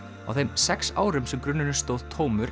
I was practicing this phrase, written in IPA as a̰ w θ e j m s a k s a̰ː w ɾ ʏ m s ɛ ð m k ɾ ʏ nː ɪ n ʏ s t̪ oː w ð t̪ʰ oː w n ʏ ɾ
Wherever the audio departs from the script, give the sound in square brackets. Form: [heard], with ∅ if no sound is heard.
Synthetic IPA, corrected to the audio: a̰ w θ e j m s [ɛ] k s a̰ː w ɾ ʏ m s ɛ [∅] m k ɾ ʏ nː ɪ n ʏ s t̪ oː w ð t̪ʰ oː w [m] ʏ ɾ